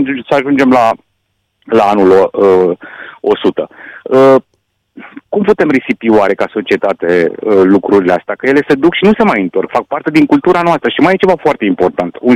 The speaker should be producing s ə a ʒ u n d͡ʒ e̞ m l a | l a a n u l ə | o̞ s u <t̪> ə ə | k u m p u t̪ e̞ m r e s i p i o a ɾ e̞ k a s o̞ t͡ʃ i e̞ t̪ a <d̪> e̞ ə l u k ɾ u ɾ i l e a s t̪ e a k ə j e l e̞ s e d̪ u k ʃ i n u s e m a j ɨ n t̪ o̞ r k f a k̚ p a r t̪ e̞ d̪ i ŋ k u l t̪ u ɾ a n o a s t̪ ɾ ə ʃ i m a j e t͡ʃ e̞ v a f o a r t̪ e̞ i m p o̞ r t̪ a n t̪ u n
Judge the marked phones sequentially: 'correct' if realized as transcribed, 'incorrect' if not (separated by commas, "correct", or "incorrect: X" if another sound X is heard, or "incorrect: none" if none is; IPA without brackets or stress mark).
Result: correct, incorrect: t̪